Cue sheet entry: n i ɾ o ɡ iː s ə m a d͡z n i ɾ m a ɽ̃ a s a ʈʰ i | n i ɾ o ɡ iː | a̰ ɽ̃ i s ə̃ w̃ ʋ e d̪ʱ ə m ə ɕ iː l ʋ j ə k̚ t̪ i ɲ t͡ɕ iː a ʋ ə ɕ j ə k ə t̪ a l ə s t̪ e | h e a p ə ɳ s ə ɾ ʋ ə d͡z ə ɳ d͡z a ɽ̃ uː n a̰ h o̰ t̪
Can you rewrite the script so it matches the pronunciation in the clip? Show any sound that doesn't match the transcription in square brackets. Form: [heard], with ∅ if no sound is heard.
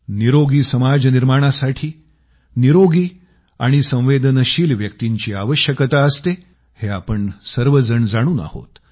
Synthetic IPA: n i ɾ o ɡ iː s ə m a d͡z n i ɾ m a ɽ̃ a s a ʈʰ [iː] | n i ɾ o ɡ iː | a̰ ɽ̃ i s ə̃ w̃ ʋ e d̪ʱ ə [n] ə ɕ iː l ʋ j ə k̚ t̪ i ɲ t͡ɕ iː a ʋ ə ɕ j ə k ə t̪ a [∅] ə s t̪ e | h e a p ə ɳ s ə ɾ ʋ ə d͡z ə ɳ d͡z a ɽ̃ uː n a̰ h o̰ t̪